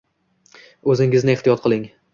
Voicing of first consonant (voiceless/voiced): voiced